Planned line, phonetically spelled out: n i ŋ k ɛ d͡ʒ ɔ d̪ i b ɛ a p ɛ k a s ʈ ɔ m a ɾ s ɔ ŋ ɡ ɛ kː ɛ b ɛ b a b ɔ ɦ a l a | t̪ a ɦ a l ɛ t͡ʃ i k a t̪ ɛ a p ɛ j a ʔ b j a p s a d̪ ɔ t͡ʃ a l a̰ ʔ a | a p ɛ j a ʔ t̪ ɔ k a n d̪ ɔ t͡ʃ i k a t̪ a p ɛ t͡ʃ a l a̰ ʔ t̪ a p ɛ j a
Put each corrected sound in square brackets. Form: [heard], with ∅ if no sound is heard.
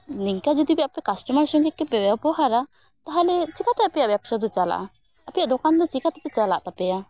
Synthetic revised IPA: n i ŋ k [a] d͡ʒ ɔ d̪ i b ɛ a p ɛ k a s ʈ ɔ m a ɾ s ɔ ŋ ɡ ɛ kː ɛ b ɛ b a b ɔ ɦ a [ɾ] a | t̪ a ɦ a l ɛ t͡ʃ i k a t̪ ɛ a p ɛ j a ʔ b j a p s a d̪ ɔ t͡ʃ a l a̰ ʔ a | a p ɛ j a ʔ [d̪] ɔ k a n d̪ ɔ t͡ʃ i k a t̪ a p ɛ t͡ʃ a l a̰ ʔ t̪ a p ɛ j a